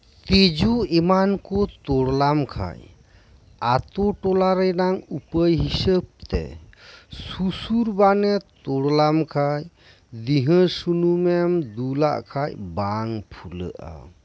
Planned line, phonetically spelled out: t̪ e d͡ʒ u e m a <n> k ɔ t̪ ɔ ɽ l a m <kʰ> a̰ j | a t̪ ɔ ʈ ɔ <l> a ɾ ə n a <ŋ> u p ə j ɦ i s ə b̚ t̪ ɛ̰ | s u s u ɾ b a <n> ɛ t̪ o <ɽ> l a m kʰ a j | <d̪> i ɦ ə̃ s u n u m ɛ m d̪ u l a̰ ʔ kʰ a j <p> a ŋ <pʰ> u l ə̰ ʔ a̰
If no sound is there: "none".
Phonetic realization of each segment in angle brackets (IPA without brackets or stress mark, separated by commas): n, kʰ, l, ŋ, n, ɽ, d̪, b, pʰ